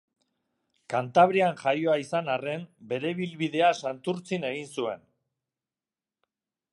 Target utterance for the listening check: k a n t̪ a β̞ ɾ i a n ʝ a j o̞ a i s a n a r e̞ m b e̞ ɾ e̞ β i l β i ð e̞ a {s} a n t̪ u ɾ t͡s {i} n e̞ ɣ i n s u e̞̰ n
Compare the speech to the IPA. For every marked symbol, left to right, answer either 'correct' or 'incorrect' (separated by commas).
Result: correct, correct